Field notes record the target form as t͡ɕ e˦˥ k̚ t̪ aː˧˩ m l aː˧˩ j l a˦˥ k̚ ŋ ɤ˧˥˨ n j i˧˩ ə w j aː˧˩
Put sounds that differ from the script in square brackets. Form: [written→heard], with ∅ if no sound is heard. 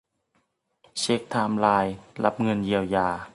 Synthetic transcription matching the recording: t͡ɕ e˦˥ k̚ [t̪→t̪ʰ] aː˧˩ m l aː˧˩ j l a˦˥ [k̚→p̚] ŋ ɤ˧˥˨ n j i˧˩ ə w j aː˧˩